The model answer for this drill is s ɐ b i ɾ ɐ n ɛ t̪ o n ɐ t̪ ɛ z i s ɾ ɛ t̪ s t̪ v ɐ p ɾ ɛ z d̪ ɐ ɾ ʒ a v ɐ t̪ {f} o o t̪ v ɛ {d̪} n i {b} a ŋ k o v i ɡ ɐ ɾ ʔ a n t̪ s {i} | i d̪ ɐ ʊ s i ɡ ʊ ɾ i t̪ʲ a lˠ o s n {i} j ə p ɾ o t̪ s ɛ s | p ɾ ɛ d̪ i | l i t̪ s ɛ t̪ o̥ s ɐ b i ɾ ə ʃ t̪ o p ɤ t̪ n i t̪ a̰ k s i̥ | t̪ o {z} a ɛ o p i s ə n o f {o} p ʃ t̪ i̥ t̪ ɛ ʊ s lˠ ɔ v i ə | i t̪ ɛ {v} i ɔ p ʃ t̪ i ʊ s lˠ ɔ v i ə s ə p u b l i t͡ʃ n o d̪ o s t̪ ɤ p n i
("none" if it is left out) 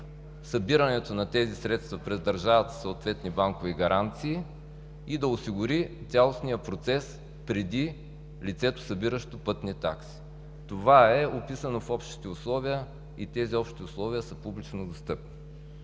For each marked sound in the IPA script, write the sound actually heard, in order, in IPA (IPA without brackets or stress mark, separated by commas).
s, t̪, b, iː, i, v, ɔ, z